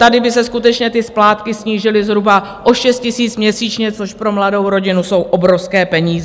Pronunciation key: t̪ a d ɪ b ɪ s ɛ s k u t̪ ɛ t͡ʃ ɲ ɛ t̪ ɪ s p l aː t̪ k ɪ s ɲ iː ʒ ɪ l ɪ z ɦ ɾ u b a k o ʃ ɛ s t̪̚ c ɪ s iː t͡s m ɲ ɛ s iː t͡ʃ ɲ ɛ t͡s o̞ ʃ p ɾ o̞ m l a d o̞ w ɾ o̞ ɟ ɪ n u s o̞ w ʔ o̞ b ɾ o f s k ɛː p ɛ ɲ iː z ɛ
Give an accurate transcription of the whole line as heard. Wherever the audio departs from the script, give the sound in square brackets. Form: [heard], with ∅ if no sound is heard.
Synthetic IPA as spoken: t̪ a d ɪ b ɪ s ɛ s k u t̪ ɛ t͡ʃ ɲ ɛ t̪ ɪ s p l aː t̪ k ɪ s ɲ iː ʒ ɪ l ɪ z ɦ ɾ u b a [ʔ] o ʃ ɛ s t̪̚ c ɪ s iː t͡s m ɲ ɛ s iː t͡ʃ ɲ ɛ t͡s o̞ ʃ p ɾ o̞ m l a d o̞ w ɾ o̞ ɟ ɪ n u s o̞ w ʔ o̞ b ɾ o f s k ɛː p ɛ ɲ iː z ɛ